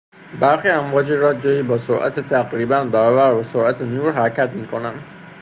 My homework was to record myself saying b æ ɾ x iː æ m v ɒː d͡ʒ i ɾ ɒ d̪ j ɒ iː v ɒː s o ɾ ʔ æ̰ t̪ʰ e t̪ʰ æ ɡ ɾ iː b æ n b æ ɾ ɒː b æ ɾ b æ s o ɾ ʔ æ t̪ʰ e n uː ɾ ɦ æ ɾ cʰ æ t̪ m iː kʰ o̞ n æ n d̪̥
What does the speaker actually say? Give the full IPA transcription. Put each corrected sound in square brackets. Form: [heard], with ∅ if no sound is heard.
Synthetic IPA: b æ ɾ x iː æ m v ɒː d͡ʒ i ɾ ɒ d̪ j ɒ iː [b] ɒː s o ɾ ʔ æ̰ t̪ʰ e t̪ʰ æ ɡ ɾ iː b æ n b æ ɾ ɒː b æ ɾ b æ s o ɾ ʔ æ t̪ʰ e n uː ɾ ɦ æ ɾ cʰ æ t̪ m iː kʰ o̞ n æ n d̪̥